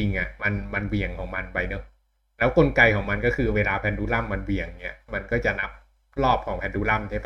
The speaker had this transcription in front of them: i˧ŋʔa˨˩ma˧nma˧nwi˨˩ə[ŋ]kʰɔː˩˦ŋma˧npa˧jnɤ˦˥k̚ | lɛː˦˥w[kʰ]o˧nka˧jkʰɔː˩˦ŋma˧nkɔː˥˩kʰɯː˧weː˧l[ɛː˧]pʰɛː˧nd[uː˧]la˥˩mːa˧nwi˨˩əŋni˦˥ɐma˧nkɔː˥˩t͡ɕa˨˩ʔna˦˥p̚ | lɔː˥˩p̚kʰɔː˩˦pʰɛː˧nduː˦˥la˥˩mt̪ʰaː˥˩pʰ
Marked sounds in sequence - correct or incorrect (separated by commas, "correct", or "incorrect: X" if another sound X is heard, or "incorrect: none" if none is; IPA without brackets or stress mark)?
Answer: correct, incorrect: k, incorrect: aː˧, incorrect: uː˦˥